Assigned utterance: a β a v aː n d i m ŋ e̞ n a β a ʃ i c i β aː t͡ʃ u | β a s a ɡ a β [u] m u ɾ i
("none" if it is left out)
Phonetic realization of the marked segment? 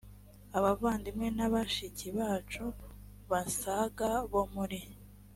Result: o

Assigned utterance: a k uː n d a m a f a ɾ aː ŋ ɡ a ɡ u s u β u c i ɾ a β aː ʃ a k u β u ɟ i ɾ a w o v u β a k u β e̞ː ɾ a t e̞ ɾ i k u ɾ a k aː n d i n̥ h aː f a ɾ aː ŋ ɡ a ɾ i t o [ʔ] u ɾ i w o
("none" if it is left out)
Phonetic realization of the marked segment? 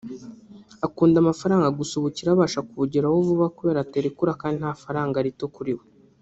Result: k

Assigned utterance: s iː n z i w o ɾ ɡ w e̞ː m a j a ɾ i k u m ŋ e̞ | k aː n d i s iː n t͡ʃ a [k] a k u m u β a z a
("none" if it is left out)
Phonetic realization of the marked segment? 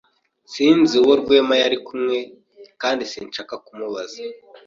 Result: k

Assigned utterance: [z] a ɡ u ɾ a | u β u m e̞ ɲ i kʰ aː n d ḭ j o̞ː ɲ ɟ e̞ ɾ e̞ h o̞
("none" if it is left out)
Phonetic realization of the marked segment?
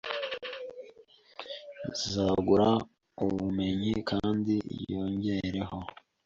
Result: z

